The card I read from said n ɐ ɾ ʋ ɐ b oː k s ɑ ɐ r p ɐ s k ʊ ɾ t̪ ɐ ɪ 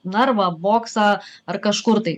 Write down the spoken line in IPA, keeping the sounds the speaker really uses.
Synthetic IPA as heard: n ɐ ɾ ʋ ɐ b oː k s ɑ ɐ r k ɐ ʃ k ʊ ɾ t̪ ɐ ɪ